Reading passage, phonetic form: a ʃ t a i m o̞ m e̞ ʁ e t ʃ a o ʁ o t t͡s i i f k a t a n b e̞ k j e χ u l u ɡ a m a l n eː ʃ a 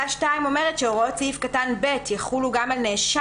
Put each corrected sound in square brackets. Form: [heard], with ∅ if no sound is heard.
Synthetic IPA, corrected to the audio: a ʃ t a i m o̞ m e̞ ʁ e t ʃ [e] o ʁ o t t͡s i i f k a t a n b e̞ [t] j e χ u l u ɡ a m a l n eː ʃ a